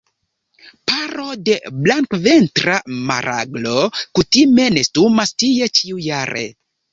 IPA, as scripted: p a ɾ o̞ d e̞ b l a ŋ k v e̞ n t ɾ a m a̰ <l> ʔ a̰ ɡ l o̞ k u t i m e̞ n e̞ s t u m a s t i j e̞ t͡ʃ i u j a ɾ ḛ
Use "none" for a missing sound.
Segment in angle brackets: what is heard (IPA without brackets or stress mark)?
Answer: ɾ